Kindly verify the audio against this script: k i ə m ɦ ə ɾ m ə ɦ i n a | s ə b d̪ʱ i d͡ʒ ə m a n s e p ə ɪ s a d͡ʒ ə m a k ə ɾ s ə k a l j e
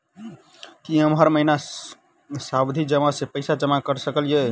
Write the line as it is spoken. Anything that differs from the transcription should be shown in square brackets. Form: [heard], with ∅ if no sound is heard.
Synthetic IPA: k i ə m ɦ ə ɾ m ə ɦ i n a | s [a] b d̪ʱ i d͡ʒ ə m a [∅] s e p ə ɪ s a d͡ʒ ə m a k ə ɾ s ə k [ə] l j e